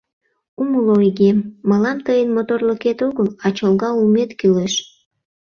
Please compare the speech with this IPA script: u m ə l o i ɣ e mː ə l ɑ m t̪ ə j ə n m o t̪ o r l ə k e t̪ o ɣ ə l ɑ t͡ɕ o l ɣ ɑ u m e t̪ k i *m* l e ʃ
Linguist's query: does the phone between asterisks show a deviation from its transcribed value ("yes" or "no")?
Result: yes